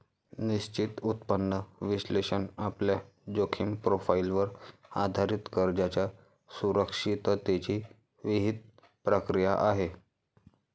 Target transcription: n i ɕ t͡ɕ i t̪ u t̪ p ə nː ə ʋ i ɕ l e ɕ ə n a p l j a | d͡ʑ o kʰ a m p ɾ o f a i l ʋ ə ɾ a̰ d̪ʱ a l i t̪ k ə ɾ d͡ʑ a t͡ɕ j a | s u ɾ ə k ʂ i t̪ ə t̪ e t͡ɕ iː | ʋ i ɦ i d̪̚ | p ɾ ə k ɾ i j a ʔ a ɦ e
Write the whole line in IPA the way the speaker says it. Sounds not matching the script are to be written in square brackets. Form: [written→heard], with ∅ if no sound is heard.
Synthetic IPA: n i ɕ t͡ɕ i t̪ u t̪ p ə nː ə ʋ i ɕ l e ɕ ə n a p l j a | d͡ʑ o kʰ [a→i] m p ɾ o f a i l ʋ ə ɾ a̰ d̪ʱ a [l→ɾ] i t̪ k ə ɾ d͡ʑ a t͡ɕ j a | s u ɾ ə k ʂ i t̪ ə t̪ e t͡ɕ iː | ʋ i ɦ i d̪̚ | p ɾ ə k ɾ i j a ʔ a ɦ e